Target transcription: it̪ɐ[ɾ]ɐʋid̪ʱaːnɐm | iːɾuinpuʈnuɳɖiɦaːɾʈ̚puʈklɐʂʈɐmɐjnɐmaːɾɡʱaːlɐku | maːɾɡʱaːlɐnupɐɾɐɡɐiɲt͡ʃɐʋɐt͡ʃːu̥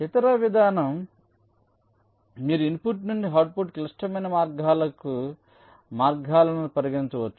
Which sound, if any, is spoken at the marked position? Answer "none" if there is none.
ɾ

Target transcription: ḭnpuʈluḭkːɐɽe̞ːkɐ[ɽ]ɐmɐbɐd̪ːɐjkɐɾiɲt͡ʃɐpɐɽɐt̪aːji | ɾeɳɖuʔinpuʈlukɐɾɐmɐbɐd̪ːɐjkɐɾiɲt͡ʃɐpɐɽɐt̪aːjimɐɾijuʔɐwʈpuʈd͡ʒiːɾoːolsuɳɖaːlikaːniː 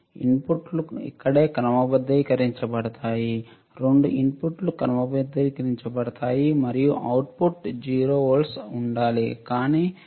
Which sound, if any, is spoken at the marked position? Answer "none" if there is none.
ɾ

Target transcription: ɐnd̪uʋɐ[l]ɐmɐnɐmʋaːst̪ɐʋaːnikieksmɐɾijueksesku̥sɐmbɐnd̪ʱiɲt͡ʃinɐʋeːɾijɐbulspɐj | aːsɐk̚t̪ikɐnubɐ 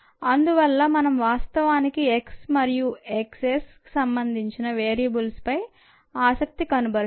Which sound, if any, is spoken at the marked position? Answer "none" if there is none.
lː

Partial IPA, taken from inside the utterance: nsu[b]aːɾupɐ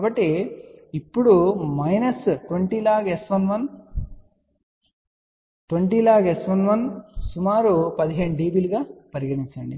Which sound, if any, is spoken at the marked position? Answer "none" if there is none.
m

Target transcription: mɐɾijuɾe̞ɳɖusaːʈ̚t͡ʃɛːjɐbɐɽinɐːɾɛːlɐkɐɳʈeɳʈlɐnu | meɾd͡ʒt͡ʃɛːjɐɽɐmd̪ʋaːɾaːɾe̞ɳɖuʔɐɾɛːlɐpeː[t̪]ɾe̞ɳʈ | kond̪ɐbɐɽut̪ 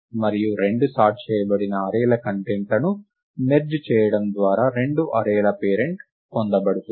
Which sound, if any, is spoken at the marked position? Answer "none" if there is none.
none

